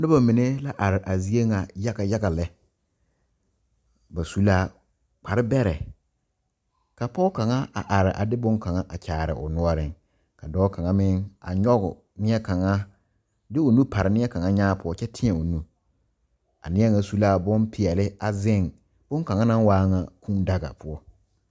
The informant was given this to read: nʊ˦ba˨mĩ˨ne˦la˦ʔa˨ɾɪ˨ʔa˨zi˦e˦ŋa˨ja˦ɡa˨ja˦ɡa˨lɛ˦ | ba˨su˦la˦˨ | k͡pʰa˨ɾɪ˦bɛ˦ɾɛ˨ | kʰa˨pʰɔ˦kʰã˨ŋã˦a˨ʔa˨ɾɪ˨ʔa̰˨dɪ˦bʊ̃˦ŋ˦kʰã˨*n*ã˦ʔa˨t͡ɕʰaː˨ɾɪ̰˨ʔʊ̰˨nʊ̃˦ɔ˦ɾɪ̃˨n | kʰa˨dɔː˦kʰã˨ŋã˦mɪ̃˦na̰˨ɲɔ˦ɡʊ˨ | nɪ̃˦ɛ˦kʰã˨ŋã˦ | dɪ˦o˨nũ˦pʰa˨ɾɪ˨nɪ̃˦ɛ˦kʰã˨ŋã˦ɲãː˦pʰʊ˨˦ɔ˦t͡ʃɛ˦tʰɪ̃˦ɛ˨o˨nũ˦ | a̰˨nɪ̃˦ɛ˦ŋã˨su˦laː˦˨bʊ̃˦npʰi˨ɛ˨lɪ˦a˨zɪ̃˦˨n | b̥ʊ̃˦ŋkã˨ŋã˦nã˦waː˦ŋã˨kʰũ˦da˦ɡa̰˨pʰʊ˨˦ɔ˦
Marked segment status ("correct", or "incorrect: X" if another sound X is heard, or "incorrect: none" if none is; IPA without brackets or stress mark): incorrect: ŋ